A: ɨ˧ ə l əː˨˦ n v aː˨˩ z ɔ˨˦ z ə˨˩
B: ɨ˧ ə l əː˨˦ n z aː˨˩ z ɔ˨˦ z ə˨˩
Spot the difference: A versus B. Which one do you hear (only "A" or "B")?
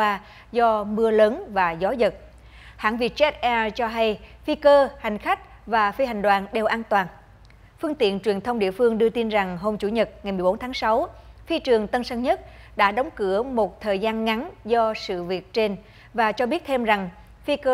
A